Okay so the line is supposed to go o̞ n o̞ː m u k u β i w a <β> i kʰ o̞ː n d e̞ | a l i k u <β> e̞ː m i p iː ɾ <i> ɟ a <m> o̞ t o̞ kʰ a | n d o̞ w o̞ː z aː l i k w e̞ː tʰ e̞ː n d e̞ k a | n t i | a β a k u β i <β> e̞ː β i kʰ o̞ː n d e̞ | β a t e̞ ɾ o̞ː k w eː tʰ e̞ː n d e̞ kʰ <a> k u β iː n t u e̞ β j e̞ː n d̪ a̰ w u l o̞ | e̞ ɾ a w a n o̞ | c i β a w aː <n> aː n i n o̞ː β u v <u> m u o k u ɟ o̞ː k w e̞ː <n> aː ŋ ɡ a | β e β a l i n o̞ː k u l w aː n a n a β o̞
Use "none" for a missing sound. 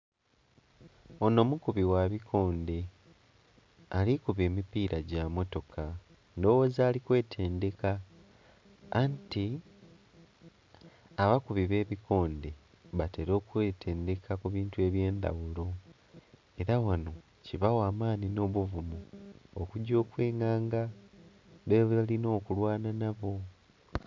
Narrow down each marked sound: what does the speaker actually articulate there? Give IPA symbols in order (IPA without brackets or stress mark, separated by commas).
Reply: β, β, a, m, β, a, m, u, ŋ